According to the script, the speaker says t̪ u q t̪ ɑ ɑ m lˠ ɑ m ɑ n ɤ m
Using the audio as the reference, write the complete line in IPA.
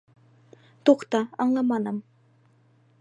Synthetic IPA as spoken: t̪ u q t̪ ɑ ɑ ɴ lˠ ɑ m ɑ n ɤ m